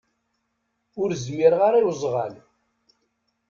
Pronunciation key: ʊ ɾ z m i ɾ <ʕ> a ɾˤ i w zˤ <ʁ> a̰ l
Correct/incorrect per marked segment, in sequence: incorrect, correct

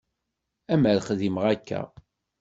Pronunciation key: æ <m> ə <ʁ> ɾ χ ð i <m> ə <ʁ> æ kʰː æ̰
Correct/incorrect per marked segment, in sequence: correct, incorrect, correct, correct

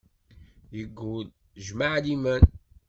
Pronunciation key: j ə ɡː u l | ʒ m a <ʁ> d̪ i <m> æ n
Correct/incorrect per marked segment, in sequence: incorrect, correct

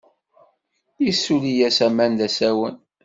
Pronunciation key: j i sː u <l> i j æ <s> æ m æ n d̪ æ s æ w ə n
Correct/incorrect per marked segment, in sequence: correct, correct

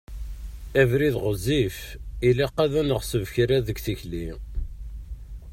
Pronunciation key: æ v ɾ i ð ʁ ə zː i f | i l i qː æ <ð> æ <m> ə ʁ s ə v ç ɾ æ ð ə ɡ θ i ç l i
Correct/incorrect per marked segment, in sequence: correct, incorrect

